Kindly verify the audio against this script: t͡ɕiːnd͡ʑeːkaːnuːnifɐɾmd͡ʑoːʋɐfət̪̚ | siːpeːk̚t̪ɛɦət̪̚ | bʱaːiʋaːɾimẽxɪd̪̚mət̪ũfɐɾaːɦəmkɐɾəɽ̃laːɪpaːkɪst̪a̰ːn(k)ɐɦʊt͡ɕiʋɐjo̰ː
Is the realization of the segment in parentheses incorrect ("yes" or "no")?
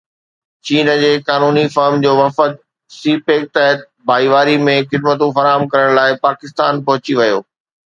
yes